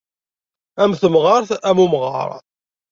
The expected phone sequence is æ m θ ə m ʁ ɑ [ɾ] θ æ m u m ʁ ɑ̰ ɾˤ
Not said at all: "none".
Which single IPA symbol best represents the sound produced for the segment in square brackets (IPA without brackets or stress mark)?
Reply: ɾ